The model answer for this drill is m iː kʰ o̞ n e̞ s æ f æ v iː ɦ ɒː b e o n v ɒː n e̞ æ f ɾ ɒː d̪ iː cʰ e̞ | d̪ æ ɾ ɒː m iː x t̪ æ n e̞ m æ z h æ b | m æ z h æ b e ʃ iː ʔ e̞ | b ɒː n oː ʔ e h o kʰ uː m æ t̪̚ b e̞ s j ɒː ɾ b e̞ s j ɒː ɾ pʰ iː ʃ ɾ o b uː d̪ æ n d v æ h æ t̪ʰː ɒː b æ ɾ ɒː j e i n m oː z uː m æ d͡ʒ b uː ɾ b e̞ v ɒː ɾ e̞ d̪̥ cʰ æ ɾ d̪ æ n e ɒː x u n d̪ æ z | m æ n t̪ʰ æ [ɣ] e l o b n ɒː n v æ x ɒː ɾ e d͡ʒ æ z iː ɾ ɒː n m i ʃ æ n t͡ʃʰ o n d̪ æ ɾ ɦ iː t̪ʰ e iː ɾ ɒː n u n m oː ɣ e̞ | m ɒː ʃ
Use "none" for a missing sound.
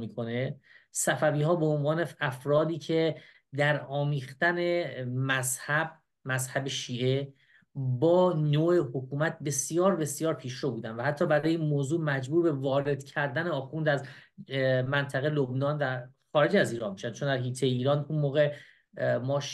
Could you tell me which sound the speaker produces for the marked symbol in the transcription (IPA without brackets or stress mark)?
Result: ɣ